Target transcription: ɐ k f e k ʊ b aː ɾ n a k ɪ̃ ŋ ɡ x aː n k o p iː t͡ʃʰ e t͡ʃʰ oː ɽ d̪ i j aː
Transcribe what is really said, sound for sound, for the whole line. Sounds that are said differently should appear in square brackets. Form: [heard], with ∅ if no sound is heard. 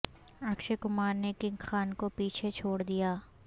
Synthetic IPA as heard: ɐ k [ʃ] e k ʊ [m] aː ɾ n [e] k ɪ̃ ŋ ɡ x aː n k o p iː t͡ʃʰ e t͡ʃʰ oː ɽ d̪ i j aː